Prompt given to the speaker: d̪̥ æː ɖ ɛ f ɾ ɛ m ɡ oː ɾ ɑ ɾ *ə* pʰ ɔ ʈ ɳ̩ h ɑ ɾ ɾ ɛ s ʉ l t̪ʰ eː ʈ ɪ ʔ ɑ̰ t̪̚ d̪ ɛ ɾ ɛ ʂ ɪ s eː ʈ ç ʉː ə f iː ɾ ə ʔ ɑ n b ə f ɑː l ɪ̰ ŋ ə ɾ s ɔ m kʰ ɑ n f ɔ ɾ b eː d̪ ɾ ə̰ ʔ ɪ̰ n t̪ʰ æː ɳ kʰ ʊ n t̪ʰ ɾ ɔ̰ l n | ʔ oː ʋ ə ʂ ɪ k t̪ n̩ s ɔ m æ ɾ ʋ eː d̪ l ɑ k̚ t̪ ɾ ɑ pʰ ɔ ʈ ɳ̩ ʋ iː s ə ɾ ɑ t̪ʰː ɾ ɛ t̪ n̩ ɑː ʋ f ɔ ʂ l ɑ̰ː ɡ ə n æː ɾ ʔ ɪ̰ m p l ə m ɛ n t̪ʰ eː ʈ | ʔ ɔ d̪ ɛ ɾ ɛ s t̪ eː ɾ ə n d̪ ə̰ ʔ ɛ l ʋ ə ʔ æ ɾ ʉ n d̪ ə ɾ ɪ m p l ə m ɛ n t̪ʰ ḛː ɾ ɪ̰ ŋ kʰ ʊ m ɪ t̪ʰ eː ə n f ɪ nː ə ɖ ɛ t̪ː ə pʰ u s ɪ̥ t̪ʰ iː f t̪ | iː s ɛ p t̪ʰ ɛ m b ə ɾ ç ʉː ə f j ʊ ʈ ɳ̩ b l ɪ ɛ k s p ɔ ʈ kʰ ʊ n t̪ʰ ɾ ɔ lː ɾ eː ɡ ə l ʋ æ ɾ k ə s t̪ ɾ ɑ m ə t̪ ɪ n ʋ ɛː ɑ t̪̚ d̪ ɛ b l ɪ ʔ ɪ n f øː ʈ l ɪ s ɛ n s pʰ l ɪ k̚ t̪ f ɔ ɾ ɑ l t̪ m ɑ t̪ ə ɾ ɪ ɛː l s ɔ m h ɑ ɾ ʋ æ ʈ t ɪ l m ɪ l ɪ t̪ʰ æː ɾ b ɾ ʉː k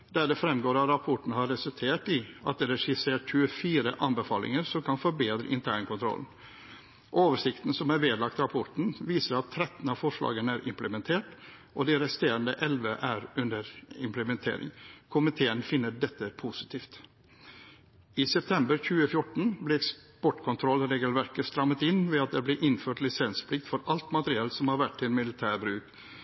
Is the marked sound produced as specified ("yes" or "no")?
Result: no